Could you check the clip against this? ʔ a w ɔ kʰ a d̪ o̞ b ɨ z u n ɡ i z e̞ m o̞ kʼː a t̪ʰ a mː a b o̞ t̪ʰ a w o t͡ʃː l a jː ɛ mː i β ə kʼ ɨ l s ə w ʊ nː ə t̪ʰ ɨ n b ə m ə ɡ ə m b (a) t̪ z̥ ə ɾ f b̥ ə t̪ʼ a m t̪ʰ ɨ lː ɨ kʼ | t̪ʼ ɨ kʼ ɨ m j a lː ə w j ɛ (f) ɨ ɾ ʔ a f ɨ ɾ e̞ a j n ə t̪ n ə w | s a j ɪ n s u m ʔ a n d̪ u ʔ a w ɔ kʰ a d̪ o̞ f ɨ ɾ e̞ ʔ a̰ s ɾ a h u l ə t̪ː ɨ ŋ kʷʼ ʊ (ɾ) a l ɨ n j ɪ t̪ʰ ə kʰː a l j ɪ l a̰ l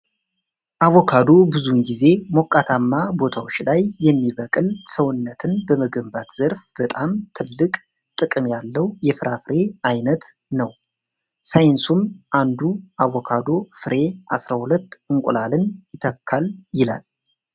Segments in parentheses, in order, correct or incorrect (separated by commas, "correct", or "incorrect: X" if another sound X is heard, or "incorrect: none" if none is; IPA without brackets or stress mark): correct, correct, incorrect: l